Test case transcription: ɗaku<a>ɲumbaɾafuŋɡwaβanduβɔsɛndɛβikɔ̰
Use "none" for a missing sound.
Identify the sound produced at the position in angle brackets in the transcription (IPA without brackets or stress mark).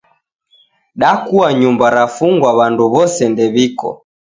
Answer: a